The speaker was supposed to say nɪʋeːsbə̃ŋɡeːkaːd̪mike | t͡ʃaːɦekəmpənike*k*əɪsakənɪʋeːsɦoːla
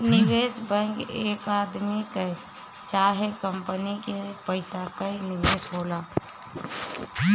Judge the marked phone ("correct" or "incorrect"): incorrect